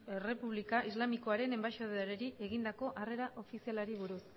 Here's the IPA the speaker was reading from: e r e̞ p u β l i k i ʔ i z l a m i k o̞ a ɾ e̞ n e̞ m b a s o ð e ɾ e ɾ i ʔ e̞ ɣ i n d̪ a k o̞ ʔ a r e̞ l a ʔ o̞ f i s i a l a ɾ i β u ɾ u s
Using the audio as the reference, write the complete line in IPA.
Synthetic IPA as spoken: e r e̞ p u β l i k a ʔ i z l a m i k o̞ a ɾ e̞ n e̞ m b a ʃ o ð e ɾ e ɾ i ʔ e̞ ɣ i n d̪ a k o̞ ʔ a r e̞ ɾ a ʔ o̞ f i s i a l a ɾ i β u ɾ u s